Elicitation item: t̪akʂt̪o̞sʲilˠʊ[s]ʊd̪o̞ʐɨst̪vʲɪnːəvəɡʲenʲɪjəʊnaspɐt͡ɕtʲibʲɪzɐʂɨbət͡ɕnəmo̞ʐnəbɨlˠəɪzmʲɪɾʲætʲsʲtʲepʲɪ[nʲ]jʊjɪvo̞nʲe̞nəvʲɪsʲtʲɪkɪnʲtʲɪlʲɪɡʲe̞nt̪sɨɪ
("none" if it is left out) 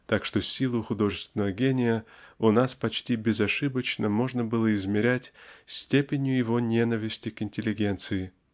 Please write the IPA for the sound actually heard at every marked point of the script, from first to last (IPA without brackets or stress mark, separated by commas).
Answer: x, nʲ